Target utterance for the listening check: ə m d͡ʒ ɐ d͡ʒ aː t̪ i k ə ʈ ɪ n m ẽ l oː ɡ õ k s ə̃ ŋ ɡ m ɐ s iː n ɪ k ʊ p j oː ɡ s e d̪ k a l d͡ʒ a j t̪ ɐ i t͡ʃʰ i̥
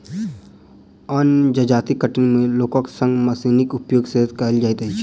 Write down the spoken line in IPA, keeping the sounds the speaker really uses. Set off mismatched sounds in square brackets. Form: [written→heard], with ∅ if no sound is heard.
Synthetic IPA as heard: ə [m→n] d͡ʒ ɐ d͡ʒ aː t̪ i k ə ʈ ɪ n m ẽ l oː [ɡ→k] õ k s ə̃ ŋ ɡ m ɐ s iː n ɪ k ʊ p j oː ɡ s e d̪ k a l d͡ʒ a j t̪ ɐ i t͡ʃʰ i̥